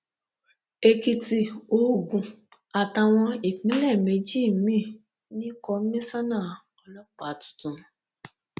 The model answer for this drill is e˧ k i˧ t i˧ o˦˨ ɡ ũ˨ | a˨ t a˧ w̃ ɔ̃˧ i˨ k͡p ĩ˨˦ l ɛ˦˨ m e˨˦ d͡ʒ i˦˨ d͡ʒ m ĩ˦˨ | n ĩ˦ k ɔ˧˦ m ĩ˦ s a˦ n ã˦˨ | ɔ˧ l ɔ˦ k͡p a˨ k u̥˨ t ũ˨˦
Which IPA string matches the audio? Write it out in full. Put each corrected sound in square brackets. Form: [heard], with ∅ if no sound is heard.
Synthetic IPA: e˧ k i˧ t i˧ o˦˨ ɡ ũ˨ | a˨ t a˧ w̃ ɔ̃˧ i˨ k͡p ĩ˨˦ l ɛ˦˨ m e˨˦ d͡ʒ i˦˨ [∅] m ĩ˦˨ | n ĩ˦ k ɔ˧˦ m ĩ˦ s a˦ n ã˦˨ | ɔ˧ l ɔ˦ k͡p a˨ [t] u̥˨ t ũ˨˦